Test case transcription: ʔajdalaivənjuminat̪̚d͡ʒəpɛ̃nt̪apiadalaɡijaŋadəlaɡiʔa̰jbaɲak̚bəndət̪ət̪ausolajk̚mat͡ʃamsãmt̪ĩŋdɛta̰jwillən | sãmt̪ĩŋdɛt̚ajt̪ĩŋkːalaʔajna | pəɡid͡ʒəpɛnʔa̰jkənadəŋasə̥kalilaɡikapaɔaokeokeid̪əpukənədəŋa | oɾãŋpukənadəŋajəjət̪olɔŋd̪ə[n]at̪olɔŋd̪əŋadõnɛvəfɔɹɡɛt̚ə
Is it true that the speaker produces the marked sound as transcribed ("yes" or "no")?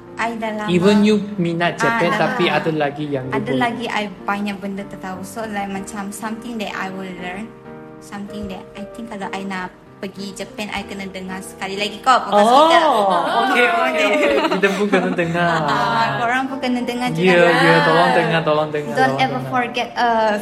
no